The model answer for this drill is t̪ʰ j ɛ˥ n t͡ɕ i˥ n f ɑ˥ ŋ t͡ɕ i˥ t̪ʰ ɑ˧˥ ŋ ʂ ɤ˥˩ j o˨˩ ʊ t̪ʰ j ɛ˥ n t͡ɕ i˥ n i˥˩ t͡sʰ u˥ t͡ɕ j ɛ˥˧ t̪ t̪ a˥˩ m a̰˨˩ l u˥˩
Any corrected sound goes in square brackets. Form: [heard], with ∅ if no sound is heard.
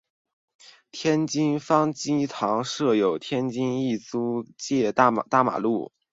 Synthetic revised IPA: t̪ʰ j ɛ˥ n t͡ɕ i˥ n f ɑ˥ ŋ t͡ɕ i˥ t̪ʰ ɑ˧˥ ŋ ʂ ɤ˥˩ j o˨˩ ʊ t̪ʰ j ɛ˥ n t͡ɕ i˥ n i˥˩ [t͡s] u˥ t͡ɕ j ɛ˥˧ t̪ t̪ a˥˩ m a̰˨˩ l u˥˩